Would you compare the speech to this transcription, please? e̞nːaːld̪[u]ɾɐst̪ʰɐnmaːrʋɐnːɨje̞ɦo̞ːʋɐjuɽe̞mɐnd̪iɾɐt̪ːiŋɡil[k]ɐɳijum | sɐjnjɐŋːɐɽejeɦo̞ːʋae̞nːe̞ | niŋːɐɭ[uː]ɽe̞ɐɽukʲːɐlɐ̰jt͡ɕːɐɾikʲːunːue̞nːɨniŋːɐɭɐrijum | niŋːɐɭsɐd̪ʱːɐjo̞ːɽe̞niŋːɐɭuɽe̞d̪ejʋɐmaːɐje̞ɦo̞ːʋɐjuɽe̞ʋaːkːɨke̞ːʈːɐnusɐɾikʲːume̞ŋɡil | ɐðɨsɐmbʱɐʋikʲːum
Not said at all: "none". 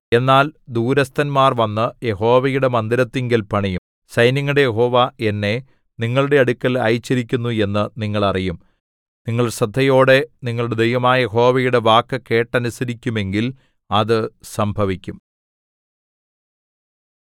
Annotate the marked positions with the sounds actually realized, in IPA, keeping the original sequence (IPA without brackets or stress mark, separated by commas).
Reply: uː, p, u